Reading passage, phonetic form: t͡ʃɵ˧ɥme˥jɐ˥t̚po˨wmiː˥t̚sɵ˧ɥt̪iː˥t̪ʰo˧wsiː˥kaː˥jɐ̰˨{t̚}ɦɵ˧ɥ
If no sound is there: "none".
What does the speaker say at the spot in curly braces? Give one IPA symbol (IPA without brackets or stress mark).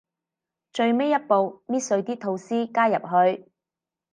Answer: p̚